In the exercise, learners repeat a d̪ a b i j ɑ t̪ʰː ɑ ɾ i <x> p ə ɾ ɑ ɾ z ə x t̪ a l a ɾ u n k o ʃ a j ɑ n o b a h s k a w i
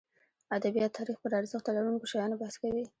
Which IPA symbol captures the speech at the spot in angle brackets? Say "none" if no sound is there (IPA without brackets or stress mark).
x